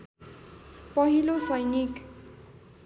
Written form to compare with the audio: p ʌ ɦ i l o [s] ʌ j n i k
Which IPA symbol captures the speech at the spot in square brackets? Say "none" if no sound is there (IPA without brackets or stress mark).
s